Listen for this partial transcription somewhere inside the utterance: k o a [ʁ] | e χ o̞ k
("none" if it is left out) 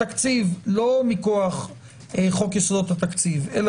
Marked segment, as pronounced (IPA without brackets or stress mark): χ